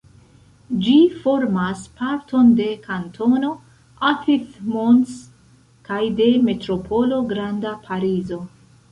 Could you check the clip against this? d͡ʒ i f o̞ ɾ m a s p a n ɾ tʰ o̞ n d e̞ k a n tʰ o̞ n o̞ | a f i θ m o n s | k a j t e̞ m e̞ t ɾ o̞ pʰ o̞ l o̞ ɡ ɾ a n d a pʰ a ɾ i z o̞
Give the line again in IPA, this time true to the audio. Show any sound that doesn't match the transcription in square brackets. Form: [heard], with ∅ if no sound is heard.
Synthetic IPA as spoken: d͡ʒ i f o̞ ɾ m a s p a [∅] ɾ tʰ o̞ n d e̞ k a n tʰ o̞ n o̞ | a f i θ m o n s | k a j [d] e̞ m e̞ t ɾ o̞ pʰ o̞ l o̞ ɡ ɾ a n d a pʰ a ɾ i z o̞